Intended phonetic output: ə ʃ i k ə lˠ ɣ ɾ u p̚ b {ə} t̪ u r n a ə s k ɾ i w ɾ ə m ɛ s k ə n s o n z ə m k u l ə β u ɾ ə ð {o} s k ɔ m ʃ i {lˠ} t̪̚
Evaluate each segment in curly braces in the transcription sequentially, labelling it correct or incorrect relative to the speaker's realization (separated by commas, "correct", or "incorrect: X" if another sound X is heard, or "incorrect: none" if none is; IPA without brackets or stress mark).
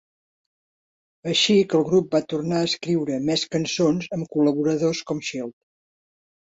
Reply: incorrect: a, correct, correct